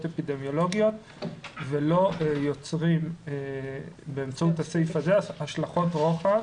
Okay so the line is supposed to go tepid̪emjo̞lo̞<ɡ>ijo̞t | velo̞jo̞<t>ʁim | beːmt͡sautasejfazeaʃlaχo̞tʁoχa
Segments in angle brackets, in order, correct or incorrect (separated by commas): correct, incorrect